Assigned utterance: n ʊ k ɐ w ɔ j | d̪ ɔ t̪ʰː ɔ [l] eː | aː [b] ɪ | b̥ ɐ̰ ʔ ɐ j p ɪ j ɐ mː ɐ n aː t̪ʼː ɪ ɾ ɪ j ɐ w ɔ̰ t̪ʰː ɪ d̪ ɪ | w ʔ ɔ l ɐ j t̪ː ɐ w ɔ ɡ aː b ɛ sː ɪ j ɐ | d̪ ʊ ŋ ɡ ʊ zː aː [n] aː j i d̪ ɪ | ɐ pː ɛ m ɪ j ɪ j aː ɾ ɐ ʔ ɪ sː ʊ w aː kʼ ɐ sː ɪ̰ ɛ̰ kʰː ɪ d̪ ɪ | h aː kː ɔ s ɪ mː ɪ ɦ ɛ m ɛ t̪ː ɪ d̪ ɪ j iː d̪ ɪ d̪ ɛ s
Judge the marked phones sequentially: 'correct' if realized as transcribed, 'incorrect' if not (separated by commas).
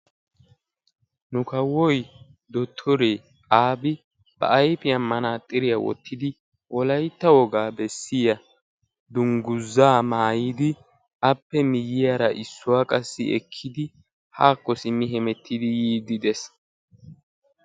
incorrect, correct, incorrect